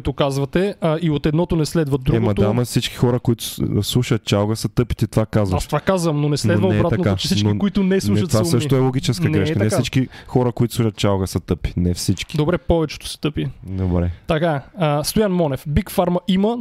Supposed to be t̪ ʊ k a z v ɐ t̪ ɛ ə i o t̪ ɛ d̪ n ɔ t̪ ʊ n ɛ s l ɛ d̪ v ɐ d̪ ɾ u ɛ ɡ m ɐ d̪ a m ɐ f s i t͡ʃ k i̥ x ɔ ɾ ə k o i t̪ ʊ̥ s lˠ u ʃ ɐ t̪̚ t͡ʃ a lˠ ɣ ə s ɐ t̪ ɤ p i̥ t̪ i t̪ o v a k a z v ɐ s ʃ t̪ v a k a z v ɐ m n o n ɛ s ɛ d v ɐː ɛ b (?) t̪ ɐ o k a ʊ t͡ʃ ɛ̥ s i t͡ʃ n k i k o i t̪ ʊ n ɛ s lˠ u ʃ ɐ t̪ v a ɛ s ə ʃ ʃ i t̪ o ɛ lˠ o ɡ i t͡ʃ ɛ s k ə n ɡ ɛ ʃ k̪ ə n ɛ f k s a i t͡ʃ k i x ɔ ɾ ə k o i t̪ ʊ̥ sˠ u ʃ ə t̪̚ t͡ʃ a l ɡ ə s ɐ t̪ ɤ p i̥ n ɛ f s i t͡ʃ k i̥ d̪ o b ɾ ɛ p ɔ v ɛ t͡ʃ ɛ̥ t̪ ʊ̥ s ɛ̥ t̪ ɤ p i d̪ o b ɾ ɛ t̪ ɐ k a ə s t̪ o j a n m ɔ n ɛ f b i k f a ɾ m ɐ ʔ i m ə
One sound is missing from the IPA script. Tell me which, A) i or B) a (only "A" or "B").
B